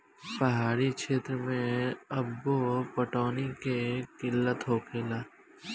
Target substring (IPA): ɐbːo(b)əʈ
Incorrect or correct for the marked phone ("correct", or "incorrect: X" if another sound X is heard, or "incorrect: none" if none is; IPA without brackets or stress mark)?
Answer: incorrect: p